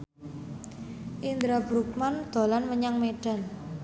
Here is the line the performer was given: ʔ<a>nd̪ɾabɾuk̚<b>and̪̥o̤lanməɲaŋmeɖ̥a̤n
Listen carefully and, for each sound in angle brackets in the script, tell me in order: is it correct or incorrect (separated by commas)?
incorrect, incorrect